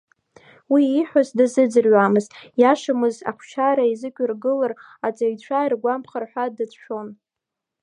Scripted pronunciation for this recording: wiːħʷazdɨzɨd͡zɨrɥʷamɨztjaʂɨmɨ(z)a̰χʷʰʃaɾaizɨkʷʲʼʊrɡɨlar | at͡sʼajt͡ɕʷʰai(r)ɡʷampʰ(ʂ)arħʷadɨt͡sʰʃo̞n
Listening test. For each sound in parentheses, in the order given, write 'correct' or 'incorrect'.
correct, correct, incorrect

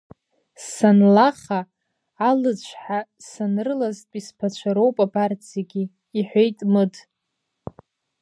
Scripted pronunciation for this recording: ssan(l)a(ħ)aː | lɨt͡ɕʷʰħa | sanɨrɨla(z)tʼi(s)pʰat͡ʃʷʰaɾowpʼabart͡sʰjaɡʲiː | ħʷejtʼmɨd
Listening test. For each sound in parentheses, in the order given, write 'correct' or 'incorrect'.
correct, incorrect, correct, correct

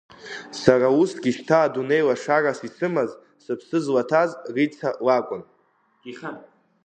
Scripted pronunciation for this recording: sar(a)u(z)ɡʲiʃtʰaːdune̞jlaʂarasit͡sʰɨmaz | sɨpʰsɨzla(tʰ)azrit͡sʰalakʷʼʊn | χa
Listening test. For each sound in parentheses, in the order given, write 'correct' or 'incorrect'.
correct, incorrect, correct

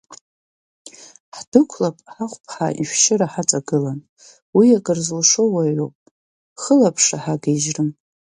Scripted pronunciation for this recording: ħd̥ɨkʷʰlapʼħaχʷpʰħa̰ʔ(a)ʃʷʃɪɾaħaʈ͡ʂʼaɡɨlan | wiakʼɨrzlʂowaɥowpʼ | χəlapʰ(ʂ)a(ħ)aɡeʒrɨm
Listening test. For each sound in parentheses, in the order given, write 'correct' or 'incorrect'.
incorrect, correct, correct

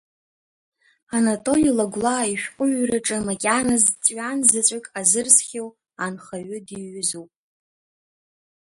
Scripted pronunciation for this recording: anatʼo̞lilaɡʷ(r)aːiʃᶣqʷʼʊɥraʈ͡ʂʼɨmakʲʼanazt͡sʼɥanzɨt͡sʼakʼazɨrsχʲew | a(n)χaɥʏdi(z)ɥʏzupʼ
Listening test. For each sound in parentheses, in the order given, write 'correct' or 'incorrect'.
incorrect, correct, incorrect

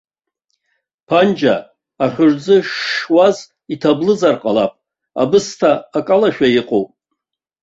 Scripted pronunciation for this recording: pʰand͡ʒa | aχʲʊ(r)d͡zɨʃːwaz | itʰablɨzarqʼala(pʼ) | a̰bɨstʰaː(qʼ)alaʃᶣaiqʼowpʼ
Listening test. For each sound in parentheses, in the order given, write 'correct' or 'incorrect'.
correct, correct, incorrect

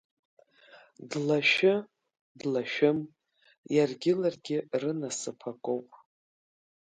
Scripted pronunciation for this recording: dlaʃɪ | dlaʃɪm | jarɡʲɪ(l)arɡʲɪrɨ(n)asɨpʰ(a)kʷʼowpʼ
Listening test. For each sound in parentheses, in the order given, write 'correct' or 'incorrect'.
correct, correct, correct

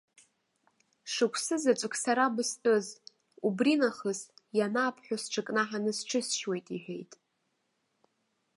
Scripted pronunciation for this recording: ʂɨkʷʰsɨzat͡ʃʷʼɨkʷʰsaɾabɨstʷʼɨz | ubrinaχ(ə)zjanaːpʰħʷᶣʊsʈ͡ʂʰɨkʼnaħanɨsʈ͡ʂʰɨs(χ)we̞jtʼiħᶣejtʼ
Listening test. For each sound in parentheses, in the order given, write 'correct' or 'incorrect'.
correct, incorrect

